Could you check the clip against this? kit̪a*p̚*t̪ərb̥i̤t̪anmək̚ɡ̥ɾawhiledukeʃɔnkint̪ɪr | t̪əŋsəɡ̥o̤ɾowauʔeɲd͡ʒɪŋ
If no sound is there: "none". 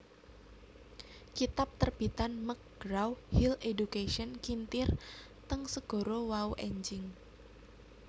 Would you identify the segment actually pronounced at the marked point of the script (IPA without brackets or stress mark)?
p̚